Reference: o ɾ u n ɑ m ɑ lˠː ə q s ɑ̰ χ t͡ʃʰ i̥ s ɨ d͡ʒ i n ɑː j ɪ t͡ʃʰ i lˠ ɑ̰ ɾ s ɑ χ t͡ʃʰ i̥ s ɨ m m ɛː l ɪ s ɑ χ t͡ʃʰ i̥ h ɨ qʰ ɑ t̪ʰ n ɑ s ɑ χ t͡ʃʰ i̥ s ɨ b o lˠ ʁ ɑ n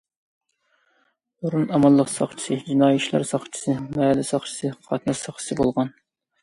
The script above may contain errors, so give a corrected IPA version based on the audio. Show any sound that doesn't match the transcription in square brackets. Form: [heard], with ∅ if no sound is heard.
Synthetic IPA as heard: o ɾ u n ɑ m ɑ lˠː ə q s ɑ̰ χ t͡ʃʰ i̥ s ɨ d͡ʒ i n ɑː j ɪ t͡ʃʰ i lˠ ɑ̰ ɾ s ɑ χ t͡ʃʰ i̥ s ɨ m m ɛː l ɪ s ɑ χ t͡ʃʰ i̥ [s] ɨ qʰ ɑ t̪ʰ n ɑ s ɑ χ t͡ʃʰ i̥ s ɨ b o lˠ ʁ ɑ n